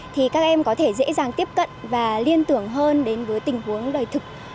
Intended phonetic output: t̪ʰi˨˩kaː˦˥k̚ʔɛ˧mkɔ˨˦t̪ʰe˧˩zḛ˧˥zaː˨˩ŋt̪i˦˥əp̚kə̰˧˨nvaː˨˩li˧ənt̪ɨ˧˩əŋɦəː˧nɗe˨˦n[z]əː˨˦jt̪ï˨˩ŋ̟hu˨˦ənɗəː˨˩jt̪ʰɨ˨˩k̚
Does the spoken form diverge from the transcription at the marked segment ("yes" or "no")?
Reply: yes